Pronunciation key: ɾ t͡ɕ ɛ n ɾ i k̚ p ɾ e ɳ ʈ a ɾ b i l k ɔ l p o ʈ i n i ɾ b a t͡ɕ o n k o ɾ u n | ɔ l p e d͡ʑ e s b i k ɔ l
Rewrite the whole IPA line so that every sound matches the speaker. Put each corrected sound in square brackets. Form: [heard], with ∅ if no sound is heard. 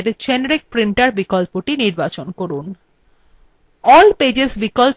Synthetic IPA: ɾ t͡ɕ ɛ n ɾ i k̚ p ɾ [i] ɳ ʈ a ɾ b i [∅] k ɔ l p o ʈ i n i ɾ b a t͡ɕ o n k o ɾ u n | ɔ l p e d͡ʑ e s b i k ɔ l